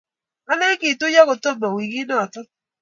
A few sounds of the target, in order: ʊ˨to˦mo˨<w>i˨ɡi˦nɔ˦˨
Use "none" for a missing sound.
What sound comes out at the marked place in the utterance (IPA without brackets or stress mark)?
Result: w